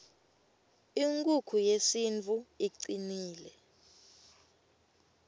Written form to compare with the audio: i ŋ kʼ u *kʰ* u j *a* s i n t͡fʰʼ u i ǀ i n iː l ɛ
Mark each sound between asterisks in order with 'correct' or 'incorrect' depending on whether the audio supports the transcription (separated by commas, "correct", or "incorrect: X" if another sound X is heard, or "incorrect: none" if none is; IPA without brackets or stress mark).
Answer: correct, incorrect: e